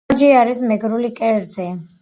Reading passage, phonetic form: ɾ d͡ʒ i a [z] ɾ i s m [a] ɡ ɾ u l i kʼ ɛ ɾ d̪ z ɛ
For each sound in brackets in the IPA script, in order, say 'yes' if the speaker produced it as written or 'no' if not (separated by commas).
no, no